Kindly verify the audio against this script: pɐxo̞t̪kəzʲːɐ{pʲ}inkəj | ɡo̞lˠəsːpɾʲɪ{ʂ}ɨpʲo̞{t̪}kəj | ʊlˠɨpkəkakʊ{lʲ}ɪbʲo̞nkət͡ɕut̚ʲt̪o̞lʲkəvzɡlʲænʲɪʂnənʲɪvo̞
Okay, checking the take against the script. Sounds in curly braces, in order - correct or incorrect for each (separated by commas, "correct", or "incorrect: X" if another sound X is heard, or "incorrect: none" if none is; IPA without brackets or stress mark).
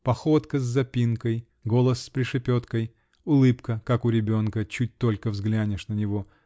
correct, correct, correct, incorrect: ɾʲ